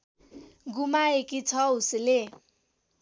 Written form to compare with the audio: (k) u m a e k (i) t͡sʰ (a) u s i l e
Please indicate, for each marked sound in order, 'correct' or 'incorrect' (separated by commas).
incorrect, correct, incorrect